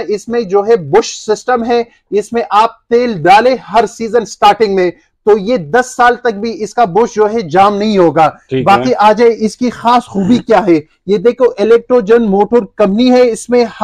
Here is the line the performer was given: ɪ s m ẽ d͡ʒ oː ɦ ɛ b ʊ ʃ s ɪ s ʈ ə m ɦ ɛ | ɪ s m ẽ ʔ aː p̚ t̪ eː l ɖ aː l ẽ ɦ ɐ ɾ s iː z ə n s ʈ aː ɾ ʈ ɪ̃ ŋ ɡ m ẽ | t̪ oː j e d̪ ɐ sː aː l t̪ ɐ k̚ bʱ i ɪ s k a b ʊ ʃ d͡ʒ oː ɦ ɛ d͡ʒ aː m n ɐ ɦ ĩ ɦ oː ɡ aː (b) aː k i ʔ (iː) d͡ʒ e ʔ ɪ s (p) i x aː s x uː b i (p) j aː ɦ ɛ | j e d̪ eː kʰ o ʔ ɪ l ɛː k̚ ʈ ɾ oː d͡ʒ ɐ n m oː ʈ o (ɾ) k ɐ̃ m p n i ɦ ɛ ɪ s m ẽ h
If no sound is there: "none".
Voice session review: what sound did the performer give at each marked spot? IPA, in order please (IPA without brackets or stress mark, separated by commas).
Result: b, aː, k, k, ɾ